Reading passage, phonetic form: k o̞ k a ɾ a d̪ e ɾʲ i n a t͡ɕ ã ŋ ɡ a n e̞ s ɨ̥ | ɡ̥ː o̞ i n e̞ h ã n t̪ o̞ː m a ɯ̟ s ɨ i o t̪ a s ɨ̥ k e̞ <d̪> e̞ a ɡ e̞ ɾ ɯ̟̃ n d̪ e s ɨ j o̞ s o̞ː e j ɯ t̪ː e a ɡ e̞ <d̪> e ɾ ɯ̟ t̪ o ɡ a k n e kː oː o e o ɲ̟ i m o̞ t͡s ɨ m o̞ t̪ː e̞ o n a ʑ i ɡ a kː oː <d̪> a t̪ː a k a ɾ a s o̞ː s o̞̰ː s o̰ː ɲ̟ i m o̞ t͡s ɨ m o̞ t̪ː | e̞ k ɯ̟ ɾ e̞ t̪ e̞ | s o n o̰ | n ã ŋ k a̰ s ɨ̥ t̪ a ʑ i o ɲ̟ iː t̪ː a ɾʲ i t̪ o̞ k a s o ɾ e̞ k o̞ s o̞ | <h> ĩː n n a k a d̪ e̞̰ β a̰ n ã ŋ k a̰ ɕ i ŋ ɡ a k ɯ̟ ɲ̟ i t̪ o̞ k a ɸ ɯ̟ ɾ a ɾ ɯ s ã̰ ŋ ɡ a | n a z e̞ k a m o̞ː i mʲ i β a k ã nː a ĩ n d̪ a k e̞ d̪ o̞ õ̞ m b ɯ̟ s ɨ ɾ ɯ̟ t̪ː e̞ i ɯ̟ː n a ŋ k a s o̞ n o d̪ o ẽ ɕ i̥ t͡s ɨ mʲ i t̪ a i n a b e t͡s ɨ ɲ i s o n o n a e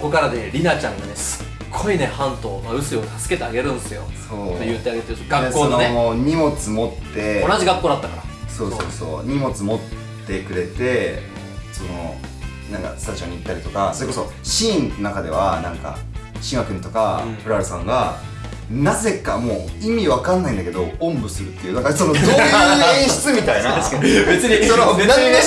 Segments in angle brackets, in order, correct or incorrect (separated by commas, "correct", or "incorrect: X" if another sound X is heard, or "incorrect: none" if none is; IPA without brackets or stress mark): incorrect: t̪, incorrect: t̪, correct, incorrect: ɕ